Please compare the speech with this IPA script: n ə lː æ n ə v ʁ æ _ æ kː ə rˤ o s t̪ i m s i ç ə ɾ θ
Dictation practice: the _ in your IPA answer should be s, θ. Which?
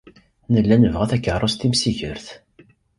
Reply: θ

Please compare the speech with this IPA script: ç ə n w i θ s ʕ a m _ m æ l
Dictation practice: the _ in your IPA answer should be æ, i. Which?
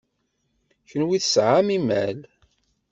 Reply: i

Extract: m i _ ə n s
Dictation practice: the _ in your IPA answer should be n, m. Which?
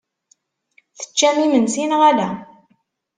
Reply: m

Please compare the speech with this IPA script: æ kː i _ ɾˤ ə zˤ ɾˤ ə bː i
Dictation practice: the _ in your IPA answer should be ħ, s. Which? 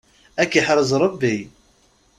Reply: ħ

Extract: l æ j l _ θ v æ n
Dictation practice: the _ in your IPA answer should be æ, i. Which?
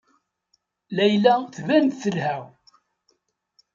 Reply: æ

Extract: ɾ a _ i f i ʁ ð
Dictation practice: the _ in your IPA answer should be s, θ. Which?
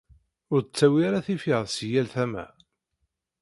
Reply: θ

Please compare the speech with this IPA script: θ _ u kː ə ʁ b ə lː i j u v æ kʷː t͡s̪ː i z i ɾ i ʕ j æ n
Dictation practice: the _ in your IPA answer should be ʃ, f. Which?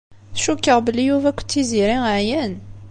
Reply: ʃ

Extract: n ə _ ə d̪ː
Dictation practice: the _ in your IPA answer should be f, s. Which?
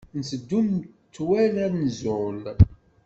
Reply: s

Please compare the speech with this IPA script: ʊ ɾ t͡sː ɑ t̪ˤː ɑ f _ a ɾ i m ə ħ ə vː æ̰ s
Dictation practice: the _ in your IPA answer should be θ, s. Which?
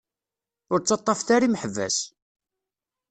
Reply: θ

